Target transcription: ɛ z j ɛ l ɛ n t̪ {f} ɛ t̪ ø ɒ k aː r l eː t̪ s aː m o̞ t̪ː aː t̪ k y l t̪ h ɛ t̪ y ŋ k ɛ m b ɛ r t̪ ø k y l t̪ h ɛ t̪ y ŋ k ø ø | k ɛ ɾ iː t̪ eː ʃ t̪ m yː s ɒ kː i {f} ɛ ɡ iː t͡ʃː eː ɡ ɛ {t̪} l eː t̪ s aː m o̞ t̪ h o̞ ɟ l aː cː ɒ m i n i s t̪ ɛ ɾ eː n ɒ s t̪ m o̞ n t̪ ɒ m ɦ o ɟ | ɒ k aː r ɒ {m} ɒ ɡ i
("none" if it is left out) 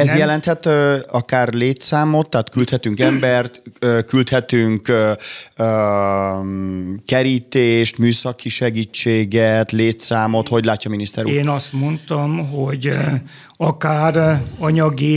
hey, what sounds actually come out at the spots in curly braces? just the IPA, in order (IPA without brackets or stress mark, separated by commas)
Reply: h, ʃ, t̪, ɲ